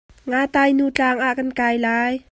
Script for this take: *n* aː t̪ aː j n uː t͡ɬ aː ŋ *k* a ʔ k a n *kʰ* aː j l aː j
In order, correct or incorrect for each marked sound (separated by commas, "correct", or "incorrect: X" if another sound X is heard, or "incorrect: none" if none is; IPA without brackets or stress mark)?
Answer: incorrect: ŋ, incorrect: ʔ, incorrect: k